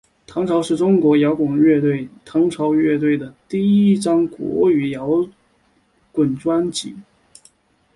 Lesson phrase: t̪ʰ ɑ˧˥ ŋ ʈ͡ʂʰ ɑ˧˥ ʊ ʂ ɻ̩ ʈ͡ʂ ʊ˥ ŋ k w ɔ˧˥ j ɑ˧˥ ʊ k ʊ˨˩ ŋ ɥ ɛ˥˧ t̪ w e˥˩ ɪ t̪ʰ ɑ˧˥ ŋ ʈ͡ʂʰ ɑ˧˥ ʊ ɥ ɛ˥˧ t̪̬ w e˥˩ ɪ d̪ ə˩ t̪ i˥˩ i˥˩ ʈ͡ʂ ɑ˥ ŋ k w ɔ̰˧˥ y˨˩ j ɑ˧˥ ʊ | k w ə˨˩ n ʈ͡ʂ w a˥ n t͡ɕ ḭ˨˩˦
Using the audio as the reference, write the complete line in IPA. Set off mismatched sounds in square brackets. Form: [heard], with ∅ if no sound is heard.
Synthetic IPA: t̪ʰ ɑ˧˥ ŋ ʈ͡ʂʰ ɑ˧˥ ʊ ʂ ɻ̩ ʈ͡ʂ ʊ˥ ŋ k w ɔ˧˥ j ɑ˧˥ ʊ k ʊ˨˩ ŋ ɥ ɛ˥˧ t̪ w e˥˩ ɪ t̪ʰ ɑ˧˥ ŋ ʈ͡ʂʰ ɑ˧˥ ʊ ɥ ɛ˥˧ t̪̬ w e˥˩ ɪ d̪ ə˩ t̪ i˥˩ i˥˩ ʈ͡ʂ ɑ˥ ŋ k w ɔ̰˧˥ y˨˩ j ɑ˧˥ ʊ | k w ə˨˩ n ʈ͡ʂ w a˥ n t͡ɕ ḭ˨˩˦